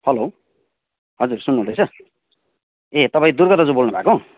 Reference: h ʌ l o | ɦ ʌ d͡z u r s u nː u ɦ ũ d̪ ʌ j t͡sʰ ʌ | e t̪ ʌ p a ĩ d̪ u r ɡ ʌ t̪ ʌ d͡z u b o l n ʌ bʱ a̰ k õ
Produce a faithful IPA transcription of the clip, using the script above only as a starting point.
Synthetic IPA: h ʌ l o | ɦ ʌ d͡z u r s u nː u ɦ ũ d̪ ʌ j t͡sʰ ʌ | e t̪ ʌ p a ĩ d̪ u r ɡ ʌ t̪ ʌ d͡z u b o l n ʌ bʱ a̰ k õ